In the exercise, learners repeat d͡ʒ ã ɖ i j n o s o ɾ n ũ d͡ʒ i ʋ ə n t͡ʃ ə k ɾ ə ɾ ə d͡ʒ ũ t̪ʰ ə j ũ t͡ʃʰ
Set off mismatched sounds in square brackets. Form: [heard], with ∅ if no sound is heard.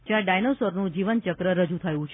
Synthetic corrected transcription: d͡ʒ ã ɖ [a] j n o s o ɾ n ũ d͡ʒ i ʋ ə n t͡ʃ ə k ɾ ə ɾ ə d͡ʒ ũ t̪ʰ ə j ũ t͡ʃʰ